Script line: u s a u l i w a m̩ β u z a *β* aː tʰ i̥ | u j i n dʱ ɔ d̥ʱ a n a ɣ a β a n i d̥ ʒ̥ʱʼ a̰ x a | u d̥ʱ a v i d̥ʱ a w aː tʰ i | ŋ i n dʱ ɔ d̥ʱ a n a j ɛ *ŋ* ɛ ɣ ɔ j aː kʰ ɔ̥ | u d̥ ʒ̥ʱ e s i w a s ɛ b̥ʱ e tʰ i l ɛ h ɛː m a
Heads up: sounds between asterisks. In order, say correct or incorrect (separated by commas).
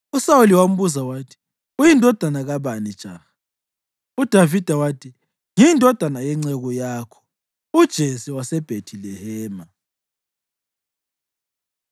incorrect, incorrect